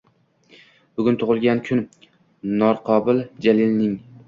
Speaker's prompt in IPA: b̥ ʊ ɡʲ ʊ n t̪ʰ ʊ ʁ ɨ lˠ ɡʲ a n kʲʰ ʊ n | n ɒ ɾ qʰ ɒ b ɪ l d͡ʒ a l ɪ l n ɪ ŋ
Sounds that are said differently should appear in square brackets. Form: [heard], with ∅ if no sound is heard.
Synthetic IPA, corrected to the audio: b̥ ʊ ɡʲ ʊ n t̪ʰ ʊ ʁ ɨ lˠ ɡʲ a n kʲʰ ʊ n | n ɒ ɾ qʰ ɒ b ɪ l d͡ʒ a l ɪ l n ɪ ŋ